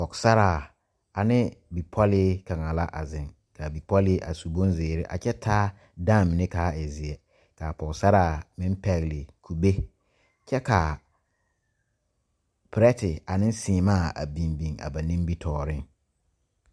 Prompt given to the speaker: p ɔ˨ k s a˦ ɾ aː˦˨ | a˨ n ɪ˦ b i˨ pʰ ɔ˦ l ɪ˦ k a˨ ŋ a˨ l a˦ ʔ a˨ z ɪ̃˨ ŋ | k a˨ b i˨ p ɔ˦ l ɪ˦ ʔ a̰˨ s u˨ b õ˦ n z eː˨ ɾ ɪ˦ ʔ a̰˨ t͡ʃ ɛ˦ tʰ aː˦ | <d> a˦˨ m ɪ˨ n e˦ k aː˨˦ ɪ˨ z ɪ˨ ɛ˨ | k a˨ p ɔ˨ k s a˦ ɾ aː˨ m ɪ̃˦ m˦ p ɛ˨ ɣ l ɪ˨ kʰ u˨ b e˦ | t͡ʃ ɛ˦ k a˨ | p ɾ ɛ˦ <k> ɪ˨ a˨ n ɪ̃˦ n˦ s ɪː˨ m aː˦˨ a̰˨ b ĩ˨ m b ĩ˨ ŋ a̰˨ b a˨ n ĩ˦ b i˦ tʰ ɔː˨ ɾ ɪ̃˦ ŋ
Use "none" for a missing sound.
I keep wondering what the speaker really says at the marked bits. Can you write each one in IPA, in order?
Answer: d, t

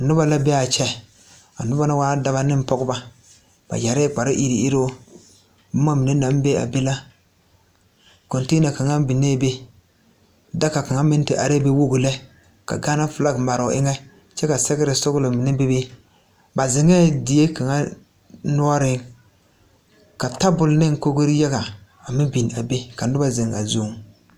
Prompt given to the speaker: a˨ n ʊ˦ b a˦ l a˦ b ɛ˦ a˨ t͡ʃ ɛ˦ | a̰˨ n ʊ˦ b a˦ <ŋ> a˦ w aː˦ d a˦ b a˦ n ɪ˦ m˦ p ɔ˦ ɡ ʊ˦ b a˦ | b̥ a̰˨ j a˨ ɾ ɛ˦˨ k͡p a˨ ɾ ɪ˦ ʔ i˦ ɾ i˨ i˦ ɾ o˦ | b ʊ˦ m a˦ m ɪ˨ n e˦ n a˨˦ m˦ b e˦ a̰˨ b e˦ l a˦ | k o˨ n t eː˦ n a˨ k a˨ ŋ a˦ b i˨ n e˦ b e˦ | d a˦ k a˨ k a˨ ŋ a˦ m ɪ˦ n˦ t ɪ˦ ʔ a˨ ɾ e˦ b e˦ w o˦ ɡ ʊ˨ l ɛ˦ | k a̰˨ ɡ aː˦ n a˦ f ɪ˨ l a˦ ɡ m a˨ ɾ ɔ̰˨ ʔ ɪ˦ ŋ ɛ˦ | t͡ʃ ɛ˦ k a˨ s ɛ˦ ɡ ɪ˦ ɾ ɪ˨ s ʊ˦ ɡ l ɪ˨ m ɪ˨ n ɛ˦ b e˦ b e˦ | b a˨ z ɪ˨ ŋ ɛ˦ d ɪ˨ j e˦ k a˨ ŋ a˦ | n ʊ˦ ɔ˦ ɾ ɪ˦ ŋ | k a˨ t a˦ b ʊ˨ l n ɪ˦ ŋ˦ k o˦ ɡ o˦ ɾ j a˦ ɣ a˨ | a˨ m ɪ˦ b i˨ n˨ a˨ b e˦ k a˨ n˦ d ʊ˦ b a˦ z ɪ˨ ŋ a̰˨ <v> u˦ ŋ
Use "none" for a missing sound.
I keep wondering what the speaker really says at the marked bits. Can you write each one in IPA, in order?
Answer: n, z

